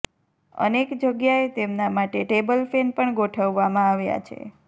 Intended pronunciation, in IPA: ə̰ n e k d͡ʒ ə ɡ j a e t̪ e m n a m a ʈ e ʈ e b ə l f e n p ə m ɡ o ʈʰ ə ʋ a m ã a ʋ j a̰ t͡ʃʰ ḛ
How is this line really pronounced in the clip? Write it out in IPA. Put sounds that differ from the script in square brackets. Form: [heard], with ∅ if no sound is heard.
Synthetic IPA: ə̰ n e k d͡ʒ ə ɡ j a e t̪ e m n a m a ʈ e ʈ e b ə l f e n p ə [ɳ] ɡ o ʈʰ ə [ʋː] a m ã a ʋ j a̰ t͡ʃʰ ḛ